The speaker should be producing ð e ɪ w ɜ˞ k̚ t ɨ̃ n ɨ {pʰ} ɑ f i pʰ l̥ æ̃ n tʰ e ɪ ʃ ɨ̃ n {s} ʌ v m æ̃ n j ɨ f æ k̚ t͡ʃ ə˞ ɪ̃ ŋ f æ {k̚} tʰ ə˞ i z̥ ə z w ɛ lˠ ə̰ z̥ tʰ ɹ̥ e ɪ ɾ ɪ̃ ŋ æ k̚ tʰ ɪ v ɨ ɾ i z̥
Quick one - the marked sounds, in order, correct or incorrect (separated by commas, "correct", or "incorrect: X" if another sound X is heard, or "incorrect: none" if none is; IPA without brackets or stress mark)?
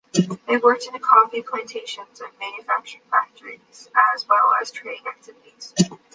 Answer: incorrect: kʰ, incorrect: z, correct